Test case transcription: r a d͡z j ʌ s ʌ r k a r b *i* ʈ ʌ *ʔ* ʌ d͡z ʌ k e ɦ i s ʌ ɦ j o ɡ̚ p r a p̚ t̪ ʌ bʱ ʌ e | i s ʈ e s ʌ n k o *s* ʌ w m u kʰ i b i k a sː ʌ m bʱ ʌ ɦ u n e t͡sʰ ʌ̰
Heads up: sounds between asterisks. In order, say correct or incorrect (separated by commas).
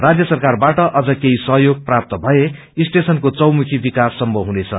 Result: incorrect, correct, incorrect